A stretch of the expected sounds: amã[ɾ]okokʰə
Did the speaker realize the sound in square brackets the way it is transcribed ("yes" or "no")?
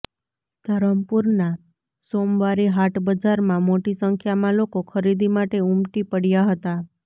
no